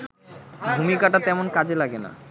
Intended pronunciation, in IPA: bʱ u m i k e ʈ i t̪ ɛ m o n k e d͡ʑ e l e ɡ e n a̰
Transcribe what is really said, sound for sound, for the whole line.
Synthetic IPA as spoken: bʱ u m i k a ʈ a t̪ ɛ m o n k a d͡ʑ e l a ɡ e n a̰